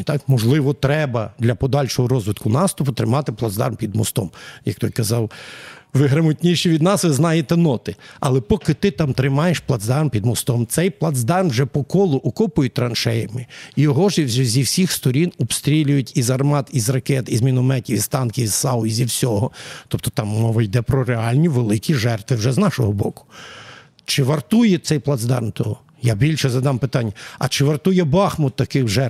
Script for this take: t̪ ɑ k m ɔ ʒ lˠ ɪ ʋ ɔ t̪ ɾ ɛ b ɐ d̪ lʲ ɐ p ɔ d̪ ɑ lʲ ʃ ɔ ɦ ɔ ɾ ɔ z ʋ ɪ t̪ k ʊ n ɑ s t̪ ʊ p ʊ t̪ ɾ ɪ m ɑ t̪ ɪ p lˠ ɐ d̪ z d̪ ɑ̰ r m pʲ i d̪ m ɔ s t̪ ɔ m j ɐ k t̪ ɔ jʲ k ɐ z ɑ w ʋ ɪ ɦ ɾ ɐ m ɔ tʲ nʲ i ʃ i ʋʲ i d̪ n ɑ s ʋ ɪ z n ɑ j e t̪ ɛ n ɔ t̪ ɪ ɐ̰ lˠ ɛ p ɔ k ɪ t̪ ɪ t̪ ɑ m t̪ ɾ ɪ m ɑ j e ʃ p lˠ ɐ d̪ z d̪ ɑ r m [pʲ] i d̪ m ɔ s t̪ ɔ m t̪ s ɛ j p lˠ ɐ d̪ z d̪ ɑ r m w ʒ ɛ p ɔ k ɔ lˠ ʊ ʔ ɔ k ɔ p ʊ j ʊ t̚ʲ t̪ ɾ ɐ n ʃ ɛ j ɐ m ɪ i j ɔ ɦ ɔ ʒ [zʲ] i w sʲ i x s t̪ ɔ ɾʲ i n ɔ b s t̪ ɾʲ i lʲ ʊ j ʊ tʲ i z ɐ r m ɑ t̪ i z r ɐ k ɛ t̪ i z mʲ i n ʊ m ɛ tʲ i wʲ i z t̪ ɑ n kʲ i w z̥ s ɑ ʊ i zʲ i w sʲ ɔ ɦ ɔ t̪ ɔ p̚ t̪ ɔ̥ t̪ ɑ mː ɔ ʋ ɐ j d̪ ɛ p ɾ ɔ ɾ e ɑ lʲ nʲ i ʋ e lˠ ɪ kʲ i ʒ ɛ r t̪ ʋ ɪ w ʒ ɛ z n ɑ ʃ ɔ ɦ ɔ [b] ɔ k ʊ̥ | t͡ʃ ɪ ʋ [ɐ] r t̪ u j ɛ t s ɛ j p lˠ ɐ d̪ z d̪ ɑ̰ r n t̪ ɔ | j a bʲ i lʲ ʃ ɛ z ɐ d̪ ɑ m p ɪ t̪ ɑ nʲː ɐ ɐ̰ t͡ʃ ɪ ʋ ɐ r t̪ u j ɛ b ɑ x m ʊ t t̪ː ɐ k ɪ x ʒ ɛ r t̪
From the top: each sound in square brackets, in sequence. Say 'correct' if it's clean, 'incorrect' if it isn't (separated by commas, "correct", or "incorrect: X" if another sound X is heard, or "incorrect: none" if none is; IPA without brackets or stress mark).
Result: correct, correct, correct, correct